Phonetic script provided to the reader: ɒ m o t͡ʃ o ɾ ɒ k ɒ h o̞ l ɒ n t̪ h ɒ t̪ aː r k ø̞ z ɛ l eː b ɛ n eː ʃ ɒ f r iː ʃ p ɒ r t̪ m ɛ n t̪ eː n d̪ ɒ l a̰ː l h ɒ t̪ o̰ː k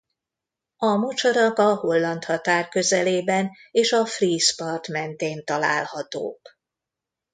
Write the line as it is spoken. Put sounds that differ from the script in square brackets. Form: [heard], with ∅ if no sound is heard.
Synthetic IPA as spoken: ɒ m o t͡ʃ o ɾ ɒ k ɒ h o̞ [lː] ɒ n t̪ h ɒ t̪ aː r k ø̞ z ɛ l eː b ɛ n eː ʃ ɒ f r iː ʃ p ɒ r t̪ m ɛ n t̪ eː n [t̪] ɒ l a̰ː l h ɒ t̪ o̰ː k